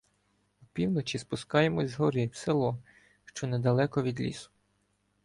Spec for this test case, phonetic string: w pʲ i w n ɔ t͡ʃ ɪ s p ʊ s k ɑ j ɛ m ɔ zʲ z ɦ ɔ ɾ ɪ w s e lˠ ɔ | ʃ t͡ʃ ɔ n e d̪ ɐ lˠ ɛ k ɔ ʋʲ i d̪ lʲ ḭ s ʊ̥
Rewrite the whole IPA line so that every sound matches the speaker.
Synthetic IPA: w pʲ i w n ɔ t͡ʃ i s p ʊ s k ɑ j e m ɔ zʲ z ɦ ɔ ɾ ɪ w s e lˠ ɔ | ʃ t͡ʃ ɔ n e d̪ ɐ lˠ ɛ k ɔ ʋʲ i d̪ lʲ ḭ s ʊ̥